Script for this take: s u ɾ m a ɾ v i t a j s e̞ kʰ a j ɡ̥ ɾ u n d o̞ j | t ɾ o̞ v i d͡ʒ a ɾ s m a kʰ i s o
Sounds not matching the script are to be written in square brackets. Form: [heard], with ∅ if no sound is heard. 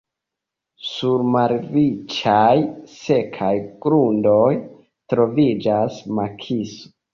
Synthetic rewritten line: s u ɾ m a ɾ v i [t͡ʃ] a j s e̞ kʰ a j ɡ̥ ɾ u n d o̞ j | t ɾ o̞ v i d͡ʒ a [∅] s m a kʰ i s o